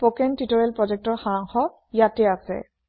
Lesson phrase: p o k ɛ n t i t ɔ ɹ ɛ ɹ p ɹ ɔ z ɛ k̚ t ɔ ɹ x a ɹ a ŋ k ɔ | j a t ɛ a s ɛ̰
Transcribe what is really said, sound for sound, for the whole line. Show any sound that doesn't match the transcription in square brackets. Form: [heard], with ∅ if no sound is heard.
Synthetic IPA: p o k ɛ n t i t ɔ ɹ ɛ [l] p ɹ ɔ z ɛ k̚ t ɔ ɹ x a ɹ a ŋ [x] ɔ | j a t ɛ a s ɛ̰